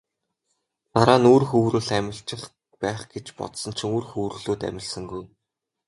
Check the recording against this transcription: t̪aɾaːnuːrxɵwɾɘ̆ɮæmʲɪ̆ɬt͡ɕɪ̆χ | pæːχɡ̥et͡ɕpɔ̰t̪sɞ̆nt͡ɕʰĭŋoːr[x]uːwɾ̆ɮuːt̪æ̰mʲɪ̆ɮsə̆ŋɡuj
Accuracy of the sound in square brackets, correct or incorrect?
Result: correct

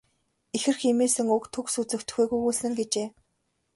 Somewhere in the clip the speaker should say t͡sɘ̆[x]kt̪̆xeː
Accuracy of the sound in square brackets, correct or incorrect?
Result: incorrect: none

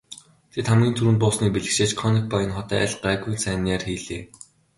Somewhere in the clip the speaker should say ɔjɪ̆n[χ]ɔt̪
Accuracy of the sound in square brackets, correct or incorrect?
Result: correct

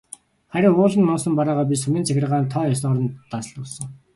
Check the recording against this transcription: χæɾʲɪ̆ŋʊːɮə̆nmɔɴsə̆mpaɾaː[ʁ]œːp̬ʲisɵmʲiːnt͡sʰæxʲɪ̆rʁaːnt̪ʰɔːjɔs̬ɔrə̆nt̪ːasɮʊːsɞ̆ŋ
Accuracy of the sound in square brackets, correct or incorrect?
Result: correct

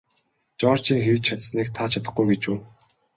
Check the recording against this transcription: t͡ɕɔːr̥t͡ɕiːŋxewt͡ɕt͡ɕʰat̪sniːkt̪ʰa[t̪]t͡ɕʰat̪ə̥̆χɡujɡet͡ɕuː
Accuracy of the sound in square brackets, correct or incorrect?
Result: incorrect: none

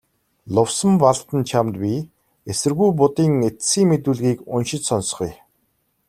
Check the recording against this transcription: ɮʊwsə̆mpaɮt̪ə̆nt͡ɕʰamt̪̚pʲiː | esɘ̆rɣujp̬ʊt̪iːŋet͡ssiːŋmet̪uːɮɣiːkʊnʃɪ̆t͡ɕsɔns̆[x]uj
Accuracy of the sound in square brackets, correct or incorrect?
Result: incorrect: χ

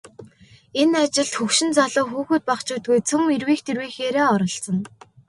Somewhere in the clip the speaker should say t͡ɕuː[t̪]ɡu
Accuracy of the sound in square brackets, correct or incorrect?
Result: correct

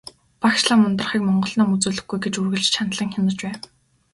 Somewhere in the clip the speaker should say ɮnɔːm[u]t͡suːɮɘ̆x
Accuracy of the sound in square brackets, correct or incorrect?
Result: correct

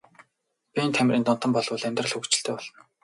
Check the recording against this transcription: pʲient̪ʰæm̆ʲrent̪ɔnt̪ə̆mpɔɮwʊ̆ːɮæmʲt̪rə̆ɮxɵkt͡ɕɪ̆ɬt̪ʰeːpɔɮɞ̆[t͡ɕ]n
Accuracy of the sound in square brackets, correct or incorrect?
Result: incorrect: none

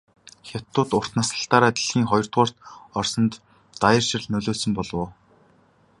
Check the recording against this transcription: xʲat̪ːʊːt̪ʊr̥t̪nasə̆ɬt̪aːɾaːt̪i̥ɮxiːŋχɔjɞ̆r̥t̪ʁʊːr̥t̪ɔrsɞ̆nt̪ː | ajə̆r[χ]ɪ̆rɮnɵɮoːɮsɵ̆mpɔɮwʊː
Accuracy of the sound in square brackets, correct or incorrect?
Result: incorrect: ʃ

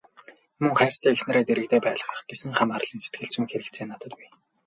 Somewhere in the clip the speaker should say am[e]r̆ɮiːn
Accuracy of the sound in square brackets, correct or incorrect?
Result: incorrect: a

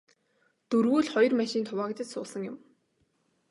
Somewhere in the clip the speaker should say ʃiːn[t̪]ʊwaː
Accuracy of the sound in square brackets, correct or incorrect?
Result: incorrect: t̪ʰ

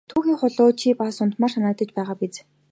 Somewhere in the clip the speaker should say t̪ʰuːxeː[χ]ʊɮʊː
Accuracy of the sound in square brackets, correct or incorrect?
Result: correct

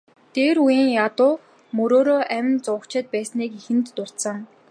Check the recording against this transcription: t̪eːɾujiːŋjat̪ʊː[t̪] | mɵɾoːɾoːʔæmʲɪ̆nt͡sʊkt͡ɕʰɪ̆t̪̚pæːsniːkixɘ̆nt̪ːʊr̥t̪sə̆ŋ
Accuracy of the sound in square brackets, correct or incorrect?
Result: incorrect: none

